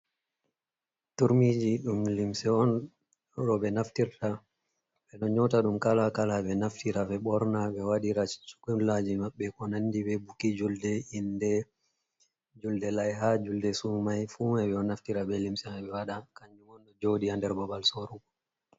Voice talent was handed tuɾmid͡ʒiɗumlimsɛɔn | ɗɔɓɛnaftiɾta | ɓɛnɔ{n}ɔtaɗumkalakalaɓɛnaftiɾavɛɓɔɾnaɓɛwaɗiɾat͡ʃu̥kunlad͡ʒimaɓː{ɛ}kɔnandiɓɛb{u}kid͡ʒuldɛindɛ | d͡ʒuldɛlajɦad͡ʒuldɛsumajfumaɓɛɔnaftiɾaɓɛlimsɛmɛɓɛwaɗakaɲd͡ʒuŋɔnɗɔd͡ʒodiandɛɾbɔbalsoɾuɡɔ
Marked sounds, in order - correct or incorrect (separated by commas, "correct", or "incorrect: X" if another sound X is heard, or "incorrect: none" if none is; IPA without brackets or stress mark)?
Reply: incorrect: ɲ, correct, correct